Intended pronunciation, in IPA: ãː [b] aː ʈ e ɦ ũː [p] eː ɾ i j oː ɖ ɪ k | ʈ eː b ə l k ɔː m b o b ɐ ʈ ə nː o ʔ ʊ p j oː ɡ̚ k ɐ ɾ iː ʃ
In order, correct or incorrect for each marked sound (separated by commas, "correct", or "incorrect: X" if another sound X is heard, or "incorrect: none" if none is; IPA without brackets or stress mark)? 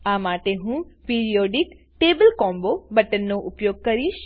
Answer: incorrect: m, correct